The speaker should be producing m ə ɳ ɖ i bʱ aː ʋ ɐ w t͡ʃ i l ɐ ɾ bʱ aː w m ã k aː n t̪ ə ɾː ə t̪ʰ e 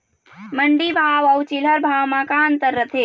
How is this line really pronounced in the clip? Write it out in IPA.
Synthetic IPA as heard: m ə ɳ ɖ i bʱ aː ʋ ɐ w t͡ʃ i l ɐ ɾ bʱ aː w m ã k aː n t̪ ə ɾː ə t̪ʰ e